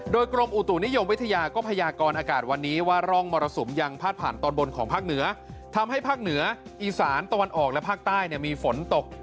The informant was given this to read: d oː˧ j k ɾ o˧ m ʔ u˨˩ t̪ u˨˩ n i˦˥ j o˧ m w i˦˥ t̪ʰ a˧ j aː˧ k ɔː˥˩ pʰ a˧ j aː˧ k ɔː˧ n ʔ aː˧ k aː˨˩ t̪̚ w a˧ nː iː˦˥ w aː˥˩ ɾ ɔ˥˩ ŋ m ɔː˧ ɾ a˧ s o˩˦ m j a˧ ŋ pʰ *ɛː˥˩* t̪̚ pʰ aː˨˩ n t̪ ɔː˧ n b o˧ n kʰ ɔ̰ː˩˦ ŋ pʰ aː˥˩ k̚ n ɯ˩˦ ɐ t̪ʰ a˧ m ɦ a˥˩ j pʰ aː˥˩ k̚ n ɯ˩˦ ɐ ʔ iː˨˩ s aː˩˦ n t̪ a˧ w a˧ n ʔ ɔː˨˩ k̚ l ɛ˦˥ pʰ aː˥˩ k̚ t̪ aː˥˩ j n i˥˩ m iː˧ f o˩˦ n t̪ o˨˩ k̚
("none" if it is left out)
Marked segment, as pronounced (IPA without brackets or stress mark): aː˥˩